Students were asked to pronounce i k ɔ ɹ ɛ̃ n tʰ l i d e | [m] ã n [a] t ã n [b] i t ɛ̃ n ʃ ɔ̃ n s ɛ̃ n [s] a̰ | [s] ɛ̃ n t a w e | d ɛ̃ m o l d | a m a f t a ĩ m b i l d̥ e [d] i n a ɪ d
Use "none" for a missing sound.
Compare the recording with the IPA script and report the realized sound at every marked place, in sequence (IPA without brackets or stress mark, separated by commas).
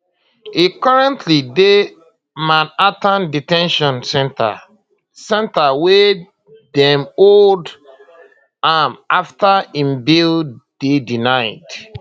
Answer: m, a, d, t, s, d